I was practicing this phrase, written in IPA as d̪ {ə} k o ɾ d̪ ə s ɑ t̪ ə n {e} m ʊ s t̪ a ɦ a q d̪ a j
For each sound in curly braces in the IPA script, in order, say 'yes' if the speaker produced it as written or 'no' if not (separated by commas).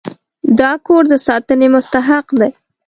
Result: no, yes